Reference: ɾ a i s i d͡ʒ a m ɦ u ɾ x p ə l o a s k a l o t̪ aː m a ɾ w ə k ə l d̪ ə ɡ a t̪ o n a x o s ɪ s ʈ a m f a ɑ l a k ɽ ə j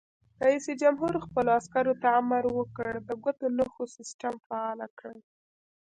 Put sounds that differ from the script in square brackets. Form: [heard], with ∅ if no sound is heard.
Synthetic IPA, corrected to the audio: ɾ a i s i d͡ʒ a m ɦ u ɾ x p ə l o a s k a [ɾ] o t̪ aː m a ɾ w ə k ə [ɽ] d̪ ə ɡ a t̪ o n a x o s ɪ s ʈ a m f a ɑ l a k ɽ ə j